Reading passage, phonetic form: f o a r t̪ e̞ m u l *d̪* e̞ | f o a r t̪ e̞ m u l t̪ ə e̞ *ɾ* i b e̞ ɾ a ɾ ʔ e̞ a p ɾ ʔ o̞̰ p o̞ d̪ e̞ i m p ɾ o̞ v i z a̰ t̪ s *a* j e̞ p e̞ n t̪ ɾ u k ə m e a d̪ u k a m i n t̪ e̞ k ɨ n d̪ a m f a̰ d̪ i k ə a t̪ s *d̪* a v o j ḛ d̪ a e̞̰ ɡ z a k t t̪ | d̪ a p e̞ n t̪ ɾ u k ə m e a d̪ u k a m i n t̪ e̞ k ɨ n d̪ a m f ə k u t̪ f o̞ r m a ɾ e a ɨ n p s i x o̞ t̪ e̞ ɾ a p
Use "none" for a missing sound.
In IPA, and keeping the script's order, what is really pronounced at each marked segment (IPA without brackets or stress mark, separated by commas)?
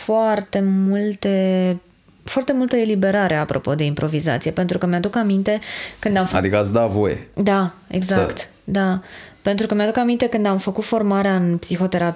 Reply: t̪, l, i, d̪